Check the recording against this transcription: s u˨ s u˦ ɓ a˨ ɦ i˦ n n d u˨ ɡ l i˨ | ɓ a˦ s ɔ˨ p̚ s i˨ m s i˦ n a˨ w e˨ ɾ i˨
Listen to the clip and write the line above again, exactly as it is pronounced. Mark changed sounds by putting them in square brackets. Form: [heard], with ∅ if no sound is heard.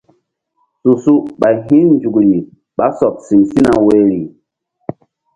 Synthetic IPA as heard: s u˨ s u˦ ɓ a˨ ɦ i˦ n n [d͡ʒ] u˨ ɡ l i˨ | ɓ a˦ s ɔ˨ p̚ s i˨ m s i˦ n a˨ w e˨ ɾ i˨